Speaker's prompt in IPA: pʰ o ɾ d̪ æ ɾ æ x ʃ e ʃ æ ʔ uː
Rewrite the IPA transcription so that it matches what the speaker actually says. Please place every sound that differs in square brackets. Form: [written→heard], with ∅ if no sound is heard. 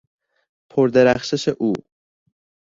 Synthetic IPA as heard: pʰ o ɾ d̪ [æ→e] ɾ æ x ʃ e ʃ [æ→e] ʔ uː